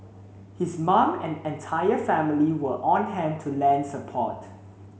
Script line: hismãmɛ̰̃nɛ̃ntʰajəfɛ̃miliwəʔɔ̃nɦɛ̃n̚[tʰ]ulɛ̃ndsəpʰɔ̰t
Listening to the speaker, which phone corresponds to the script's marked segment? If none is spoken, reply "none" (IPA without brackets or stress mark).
tʰ